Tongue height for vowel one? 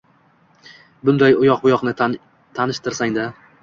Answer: high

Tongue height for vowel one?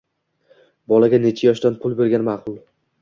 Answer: low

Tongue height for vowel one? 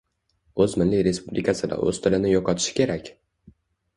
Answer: mid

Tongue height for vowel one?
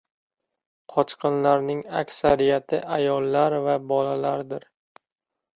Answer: low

